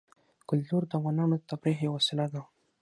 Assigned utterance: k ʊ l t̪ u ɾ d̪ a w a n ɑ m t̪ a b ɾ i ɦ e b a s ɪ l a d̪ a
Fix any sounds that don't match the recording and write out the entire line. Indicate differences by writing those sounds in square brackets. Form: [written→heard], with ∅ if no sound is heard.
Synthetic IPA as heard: k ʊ l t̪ u ɾ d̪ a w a n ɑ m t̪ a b ɾ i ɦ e [b→w] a s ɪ l a d̪ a